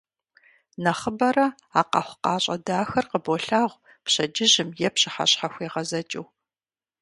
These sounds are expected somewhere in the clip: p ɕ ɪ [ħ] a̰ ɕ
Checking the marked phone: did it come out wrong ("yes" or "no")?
no